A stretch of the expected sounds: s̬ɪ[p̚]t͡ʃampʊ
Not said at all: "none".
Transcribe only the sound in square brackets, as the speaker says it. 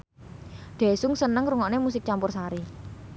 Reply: k̚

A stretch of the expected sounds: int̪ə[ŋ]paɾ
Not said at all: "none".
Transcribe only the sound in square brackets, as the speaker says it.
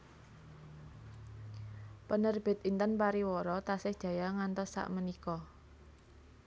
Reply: n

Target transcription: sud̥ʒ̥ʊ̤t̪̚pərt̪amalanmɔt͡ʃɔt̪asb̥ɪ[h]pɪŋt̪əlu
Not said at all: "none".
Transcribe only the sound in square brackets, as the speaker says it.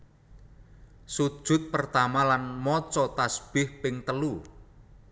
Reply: h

